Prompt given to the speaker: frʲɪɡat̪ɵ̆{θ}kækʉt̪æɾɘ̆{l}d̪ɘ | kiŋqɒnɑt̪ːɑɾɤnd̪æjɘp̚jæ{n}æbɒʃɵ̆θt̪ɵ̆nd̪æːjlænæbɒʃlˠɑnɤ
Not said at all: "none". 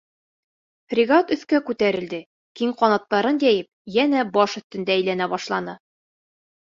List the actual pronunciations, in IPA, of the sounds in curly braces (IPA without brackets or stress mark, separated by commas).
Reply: θ, l, n